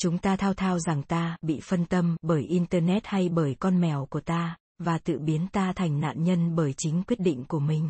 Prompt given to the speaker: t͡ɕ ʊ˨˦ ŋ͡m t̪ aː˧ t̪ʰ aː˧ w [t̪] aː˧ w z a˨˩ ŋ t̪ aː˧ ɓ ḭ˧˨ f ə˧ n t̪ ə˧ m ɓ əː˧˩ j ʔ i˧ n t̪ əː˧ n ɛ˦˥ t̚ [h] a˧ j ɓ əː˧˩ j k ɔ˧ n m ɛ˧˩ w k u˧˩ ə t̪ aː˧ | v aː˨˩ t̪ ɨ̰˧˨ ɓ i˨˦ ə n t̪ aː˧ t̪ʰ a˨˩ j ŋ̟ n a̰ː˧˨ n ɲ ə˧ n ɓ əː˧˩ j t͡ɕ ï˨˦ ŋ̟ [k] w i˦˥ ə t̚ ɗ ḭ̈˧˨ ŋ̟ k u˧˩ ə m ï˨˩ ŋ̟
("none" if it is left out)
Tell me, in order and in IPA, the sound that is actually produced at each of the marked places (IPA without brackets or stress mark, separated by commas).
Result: t̪ʰ, h, k